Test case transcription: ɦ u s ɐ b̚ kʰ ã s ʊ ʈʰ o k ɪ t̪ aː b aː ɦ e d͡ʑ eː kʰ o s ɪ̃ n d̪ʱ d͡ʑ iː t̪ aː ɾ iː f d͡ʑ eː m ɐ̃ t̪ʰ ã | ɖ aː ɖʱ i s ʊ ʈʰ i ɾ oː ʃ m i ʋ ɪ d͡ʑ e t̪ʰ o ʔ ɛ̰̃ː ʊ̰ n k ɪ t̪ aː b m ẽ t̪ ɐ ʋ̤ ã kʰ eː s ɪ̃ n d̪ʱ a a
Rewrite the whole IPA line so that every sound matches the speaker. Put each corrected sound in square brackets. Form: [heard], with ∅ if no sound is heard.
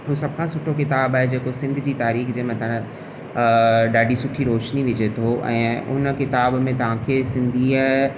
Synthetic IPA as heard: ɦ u s ɐ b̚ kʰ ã s ʊ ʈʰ o k ɪ t̪ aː b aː ɦ e d͡ʑ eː [k] o s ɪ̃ n d̪ʱ d͡ʑ iː t̪ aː ɾ iː [x] d͡ʑ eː m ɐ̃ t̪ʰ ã | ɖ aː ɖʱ i s ʊ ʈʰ i ɾ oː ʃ [n] i ʋ ɪ d͡ʑ e t̪ʰ o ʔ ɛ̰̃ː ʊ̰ n k ɪ t̪ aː b m ẽ t̪ ɐ ʋ̤ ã kʰ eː s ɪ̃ n d̪ʱ [i] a